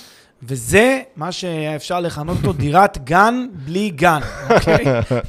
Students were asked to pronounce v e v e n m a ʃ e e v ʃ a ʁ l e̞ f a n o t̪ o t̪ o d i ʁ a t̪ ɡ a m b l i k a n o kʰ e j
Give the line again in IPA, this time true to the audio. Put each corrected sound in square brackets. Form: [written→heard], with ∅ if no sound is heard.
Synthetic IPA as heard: v e [v→z] e [n→∅] m a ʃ e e [v→f] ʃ a ʁ l e̞ [f→χ] a n o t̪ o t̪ o d i ʁ a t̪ ɡ a [m→n] b l i [k→ɡ] a n o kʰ e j